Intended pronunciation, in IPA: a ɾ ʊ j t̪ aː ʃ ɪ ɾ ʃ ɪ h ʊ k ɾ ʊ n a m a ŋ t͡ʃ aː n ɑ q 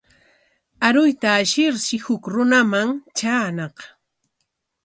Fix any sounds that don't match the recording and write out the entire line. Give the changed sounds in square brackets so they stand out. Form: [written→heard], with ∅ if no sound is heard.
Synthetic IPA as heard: a ɾ ʊ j t̪ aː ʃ ɪ ɾ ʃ ɪ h ʊ k ɾ ʊ n a m a ŋ t͡ʃ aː n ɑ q